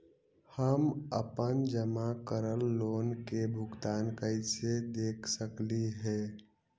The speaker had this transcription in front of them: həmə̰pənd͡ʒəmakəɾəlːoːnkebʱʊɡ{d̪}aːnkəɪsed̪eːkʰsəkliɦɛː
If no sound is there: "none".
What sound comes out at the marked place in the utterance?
t̪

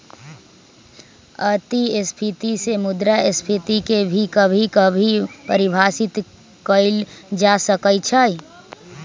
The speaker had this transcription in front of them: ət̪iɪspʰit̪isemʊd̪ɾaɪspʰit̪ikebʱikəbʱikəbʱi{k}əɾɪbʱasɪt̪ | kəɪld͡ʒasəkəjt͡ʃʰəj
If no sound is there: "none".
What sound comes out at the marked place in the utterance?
p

